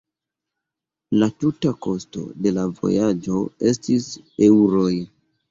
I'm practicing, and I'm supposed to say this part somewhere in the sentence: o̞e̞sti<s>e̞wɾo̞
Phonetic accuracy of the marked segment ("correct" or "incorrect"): correct